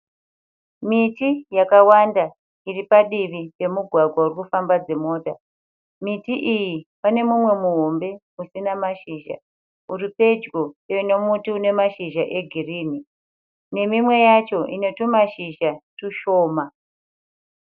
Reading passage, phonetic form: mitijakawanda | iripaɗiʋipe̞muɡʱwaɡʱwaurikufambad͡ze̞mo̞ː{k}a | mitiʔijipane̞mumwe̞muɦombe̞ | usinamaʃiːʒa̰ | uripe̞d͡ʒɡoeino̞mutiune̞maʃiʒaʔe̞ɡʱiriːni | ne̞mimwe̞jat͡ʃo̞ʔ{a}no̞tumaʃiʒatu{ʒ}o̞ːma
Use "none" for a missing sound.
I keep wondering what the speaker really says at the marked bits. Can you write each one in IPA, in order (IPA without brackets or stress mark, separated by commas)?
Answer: t, i, ʃ